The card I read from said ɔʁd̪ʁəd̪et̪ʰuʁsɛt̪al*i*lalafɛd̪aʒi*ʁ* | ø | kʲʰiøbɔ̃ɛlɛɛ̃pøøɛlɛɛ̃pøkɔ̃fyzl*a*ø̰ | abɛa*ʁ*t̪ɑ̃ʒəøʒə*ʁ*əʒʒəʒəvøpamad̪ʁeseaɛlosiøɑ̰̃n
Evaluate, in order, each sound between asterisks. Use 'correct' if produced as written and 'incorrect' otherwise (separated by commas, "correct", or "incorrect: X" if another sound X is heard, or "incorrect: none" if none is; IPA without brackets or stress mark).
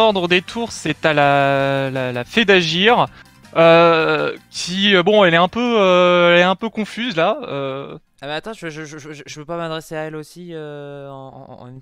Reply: incorrect: a, correct, correct, incorrect: none, incorrect: ʒ